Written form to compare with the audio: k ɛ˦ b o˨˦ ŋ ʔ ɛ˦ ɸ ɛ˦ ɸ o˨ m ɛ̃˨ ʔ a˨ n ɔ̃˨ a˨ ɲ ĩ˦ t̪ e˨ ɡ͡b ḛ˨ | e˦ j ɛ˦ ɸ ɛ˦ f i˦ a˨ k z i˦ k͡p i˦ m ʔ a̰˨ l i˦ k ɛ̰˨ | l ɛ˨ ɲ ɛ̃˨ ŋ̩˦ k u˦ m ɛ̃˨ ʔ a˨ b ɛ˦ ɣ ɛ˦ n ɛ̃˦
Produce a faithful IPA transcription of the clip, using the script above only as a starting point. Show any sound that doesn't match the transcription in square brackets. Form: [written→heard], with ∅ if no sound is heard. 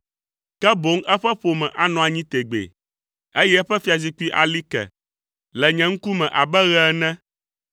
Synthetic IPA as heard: k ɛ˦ b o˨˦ ŋ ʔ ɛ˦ ɸ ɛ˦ ɸ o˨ m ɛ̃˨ ʔ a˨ n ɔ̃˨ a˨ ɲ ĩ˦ t̪ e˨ ɡ͡b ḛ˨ | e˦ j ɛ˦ ɸ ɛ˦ f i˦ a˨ [k→∅] z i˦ k͡p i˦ [m→∅] ʔ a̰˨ l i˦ k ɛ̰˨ | l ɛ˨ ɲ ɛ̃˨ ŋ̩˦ k u˦ m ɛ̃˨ ʔ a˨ b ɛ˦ ɣ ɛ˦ n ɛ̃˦